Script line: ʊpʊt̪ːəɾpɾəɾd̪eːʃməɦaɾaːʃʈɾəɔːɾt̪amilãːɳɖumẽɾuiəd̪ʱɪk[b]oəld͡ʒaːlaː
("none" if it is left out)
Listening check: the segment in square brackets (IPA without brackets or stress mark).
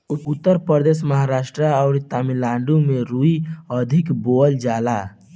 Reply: b